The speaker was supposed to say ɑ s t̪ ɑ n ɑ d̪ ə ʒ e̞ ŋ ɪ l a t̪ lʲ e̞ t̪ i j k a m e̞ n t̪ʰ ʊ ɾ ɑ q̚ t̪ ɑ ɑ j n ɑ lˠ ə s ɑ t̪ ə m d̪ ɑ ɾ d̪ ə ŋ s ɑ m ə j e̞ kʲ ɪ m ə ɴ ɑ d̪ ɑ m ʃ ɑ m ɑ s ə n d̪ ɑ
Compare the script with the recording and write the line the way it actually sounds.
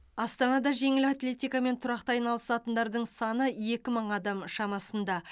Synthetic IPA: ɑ s t̪ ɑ n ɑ d̪ ɑ ʒ e̞ ŋ ɪ l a t̪ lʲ e̞ t̪ i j k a m e̞ n t̪ʰ ʊ ɾ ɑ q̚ t̪ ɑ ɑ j n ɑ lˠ ə s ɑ t̪ ə n d̪ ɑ ɾ d̪ ə ɴ s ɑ n ə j e̞ kʲ ɪ m ə ɴ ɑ d̪ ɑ m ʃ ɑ m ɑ s ə n d̪ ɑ